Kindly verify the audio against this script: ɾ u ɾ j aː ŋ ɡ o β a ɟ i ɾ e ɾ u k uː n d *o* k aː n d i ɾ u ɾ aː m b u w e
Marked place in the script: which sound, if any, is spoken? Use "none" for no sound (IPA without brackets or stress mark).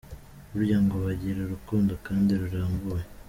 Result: o